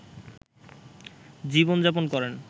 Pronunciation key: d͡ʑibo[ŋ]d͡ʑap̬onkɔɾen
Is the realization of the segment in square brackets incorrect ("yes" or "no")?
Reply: yes